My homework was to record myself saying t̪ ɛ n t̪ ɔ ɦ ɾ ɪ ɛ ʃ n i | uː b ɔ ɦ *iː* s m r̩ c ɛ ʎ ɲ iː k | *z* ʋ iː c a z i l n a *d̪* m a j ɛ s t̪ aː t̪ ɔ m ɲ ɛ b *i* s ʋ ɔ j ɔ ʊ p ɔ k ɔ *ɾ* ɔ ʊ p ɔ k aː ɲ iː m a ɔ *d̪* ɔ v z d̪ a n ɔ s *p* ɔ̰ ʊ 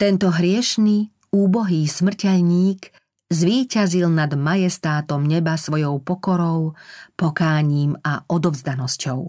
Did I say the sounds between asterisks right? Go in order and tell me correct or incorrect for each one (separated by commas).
correct, correct, correct, incorrect, correct, correct, incorrect